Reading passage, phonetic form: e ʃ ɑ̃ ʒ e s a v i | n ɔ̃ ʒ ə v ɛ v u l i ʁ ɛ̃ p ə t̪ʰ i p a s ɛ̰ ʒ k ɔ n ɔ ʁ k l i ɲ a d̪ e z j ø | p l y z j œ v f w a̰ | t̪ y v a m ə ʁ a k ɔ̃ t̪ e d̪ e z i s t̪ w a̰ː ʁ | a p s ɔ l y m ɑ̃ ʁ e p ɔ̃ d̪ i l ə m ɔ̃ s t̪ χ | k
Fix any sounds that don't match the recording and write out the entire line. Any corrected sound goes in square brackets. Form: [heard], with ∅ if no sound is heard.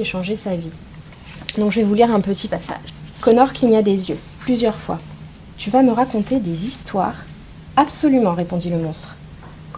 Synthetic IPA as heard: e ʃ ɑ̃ ʒ e s a v i | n ɔ̃ ʒ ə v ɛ v u l i ʁ ɛ̃ p ə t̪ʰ i p a s [a̰] ʒ k ɔ n ɔ ʁ k l i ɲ a d̪ e z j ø | p l y z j œ [ʁ] f w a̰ | t̪ y v a m ə ʁ a k ɔ̃ t̪ e d̪ e z i s t̪ w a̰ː ʁ | a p s ɔ l y m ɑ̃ ʁ e p ɔ̃ d̪ i l ə m ɔ̃ s t̪ χ | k

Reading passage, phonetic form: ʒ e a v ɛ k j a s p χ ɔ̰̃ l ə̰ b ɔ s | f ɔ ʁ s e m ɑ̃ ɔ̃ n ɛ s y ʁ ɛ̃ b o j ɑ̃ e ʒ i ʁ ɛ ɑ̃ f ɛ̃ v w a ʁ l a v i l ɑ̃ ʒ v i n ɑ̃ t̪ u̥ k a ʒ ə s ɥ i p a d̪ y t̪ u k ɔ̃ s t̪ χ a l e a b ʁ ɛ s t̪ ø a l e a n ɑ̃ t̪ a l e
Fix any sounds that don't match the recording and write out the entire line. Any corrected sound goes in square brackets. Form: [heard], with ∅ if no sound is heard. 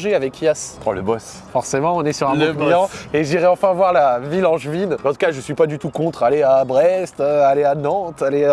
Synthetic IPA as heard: ʒ e a v ɛ k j a s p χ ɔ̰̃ l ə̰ b ɔ s | f ɔ ʁ s e m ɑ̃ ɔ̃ n ɛ s y ʁ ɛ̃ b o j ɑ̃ e ʒ i ʁ ɛ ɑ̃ f ɛ̃ v w a ʁ l a v i l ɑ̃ ʒ v i n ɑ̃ t̪ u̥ k a ʒ ə s ɥ i p a d̪ y t̪ u k ɔ̃ [∅] t̪ χ a l e a b ʁ ɛ s t̪ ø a l e a n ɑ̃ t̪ a l e

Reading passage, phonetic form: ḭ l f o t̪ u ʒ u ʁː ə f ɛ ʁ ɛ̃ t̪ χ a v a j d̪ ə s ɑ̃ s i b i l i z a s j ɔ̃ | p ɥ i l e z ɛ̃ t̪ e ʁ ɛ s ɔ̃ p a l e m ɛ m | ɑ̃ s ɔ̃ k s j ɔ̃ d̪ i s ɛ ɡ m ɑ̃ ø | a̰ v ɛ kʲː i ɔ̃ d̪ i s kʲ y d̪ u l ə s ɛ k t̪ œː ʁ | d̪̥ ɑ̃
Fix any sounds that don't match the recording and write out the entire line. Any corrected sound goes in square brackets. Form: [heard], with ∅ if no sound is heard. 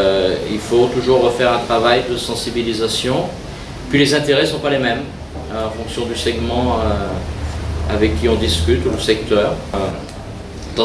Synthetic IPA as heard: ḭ l f o t̪ u ʒ u ʁː ə f ɛ ʁ ɛ̃ t̪ χ a v a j d̪ ə s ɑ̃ s i b i l i z a s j ɔ̃ | p ɥ i l e z ɛ̃ t̪ e ʁ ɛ s ɔ̃ p a l e m ɛ m | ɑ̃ [f] ɔ̃ k s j ɔ̃ d̪ [y] s ɛ ɡ m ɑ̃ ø | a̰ v ɛ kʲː i ɔ̃ d̪ i s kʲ y [t̪] u l ə s ɛ k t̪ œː ʁ | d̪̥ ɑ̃

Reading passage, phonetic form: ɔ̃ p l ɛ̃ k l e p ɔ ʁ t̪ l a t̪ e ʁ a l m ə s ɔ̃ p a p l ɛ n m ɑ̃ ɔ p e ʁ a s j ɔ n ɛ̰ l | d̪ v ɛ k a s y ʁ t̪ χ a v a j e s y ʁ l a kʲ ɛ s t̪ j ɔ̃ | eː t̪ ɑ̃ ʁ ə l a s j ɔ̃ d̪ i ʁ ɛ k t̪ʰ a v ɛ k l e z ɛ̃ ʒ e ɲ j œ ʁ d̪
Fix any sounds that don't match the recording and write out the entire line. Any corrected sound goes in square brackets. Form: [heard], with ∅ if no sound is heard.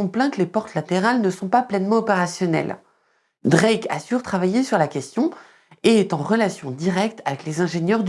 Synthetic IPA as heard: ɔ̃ p l ɛ̃ k l e p ɔ ʁ t̪ l a t̪ e ʁ a l [n] ə s ɔ̃ p a p l ɛ n m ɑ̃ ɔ p e ʁ a s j ɔ n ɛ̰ l | d̪ [ʁ] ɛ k a s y ʁ t̪ χ a v a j e s y ʁ l a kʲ ɛ s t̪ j ɔ̃ | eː t̪ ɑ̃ ʁ ə l a s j ɔ̃ d̪ i ʁ ɛ k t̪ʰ a v ɛ k l e z ɛ̃ ʒ e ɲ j œ ʁ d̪

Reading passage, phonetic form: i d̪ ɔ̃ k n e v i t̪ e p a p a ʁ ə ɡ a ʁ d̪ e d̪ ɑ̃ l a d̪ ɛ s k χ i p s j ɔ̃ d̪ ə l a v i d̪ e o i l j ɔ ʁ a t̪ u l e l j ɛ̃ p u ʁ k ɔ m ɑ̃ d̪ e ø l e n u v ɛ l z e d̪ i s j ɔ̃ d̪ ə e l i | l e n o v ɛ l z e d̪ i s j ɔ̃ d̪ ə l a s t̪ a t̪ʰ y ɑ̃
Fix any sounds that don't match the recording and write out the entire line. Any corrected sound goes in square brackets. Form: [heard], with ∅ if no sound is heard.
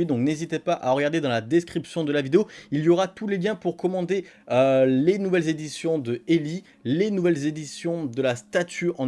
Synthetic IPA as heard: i d̪ ɔ̃ k n e [z] i t̪ e p a [ʔ] a ʁ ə ɡ a ʁ d̪ e d̪ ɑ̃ l a d̪ ɛ s k χ i p s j ɔ̃ d̪ ə l a v i d̪ e o i l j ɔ ʁ a t̪ u l e l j ɛ̃ p u ʁ k ɔ m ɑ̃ d̪ e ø l e n u v ɛ l z e d̪ i s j ɔ̃ d̪ ə e l i | l e n [u] v ɛ l z e d̪ i s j ɔ̃ d̪ ə l a s t̪ a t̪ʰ y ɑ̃

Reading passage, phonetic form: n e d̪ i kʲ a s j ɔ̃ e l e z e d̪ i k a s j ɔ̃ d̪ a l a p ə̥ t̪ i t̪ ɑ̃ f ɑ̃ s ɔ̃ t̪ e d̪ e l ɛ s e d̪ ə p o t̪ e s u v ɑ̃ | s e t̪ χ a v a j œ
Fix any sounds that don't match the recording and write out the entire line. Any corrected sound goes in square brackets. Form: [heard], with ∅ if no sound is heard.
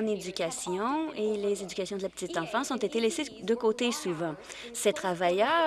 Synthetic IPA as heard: n e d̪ [y] kʲ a s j ɔ̃ e l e z e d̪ [y] k a s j ɔ̃ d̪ [ə] l a p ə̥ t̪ i t̪ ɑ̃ f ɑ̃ s ɔ̃ t̪ e [t̪] e l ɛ s e d̪ ə [k] o t̪ e s u v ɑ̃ | s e t̪ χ a v a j œ

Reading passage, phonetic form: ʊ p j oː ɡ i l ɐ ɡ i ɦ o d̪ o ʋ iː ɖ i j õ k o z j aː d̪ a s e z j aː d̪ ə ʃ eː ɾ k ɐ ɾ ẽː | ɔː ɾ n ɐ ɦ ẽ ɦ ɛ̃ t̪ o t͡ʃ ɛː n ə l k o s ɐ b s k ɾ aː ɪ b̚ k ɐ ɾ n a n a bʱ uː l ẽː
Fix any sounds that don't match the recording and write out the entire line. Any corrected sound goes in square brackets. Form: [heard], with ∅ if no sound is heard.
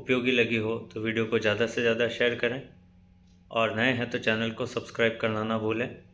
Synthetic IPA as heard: ʊ p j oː ɡ i l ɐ ɡ i ɦ o [t̪] o ʋ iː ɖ i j [o] k o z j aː d̪ a s e z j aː d̪ [a] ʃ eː ɾ k ɐ ɾ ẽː | ɔː ɾ n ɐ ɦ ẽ ɦ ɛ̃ t̪ o t͡ʃ ɛː n ə l k o s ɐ b s k ɾ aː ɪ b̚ k ɐ ɾ n a n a bʱ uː l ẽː

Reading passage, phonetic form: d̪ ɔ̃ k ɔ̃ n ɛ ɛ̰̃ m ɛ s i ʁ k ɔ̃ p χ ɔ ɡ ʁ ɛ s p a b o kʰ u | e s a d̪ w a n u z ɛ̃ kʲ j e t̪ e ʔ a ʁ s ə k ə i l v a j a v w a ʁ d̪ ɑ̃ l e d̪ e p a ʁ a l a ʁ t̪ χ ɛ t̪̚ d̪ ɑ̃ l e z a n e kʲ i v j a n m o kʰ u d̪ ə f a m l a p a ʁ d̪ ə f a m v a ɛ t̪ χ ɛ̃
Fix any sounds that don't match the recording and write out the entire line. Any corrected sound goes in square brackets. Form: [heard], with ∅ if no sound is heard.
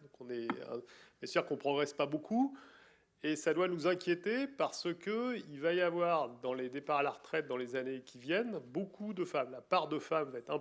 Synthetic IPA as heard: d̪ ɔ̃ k ɔ̃ n ɛ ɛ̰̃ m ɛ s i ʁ k ɔ̃ p χ ɔ ɡ ʁ ɛ s p a b o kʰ u | e s a d̪ w a n u z ɛ̃ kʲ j e t̪ e [p] a ʁ s ə k ə i l v a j a v w a ʁ d̪ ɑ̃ l e d̪ e p a ʁ a l a ʁ t̪ χ ɛ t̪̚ d̪ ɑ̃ l e z a n e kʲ i v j [ɛ] n [b] o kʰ u d̪ ə f a m l a p a ʁ d̪ ə f a m v a ɛ t̪ χ ɛ̃

